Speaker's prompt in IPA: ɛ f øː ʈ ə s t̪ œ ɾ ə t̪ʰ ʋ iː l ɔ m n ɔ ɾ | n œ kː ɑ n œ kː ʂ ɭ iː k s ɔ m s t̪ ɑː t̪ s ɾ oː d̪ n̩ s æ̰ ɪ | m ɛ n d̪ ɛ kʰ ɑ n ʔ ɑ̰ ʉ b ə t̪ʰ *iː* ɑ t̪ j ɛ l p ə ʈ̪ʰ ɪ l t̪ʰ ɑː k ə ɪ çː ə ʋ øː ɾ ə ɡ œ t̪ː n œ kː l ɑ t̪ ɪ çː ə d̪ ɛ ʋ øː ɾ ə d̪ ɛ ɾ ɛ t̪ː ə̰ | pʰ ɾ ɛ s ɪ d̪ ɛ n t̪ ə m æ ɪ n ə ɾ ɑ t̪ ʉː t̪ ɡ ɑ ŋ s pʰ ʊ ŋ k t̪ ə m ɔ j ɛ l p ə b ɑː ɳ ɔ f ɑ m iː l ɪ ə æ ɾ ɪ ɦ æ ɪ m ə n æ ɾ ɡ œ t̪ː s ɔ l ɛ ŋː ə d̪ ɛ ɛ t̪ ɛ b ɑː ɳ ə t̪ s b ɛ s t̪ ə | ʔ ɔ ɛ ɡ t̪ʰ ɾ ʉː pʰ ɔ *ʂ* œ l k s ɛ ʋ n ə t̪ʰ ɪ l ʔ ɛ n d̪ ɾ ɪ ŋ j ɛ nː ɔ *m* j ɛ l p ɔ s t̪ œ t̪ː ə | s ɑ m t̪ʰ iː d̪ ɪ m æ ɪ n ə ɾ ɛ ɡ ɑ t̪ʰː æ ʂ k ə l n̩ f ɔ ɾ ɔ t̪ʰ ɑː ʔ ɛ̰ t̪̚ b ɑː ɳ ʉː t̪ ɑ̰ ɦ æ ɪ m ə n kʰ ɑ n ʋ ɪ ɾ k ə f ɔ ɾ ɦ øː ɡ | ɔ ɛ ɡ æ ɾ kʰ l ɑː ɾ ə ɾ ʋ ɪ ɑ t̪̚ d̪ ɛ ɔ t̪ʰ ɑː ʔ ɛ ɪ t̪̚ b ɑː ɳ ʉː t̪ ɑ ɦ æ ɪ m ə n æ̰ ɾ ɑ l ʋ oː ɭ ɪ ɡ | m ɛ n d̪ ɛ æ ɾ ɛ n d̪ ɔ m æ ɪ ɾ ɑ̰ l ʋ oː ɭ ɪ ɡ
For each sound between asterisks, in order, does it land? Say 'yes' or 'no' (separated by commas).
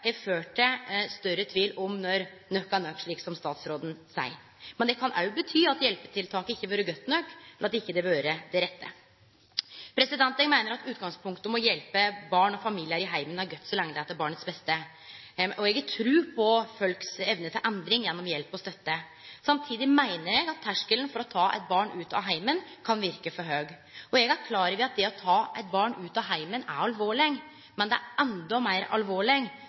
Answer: no, no, yes